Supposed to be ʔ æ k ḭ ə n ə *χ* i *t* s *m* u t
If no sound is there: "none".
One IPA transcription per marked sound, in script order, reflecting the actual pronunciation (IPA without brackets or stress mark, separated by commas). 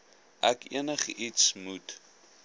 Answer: χ, t, m